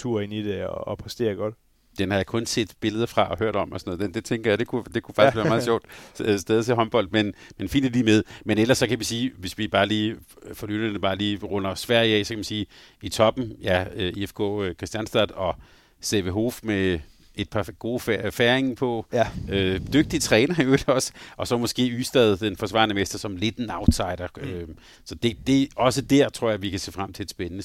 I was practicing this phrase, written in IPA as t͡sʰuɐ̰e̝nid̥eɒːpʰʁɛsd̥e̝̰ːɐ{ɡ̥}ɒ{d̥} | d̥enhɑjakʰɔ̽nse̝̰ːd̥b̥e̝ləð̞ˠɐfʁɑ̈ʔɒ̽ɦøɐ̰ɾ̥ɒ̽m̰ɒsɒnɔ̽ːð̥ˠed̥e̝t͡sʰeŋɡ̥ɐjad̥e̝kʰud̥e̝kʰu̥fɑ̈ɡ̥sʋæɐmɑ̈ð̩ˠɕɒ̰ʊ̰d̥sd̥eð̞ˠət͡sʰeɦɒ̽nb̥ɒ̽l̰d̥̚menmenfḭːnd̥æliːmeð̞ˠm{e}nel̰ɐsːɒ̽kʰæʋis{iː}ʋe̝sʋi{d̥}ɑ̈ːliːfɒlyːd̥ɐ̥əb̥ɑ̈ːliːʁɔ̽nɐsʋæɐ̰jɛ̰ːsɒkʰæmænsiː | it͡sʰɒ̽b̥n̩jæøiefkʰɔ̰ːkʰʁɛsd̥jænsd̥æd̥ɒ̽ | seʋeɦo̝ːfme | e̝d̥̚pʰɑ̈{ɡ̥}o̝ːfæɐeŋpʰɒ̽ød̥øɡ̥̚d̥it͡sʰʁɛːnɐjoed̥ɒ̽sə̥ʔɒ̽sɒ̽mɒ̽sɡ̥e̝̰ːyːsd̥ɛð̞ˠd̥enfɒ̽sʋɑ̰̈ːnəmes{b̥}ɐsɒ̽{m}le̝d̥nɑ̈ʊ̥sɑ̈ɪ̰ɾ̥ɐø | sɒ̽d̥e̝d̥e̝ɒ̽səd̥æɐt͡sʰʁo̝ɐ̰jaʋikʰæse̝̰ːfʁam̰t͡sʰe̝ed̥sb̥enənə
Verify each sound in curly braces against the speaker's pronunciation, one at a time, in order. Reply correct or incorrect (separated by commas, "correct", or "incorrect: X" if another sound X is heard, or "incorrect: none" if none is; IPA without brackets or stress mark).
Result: correct, correct, correct, correct, incorrect: b̥, correct, incorrect: d̥, correct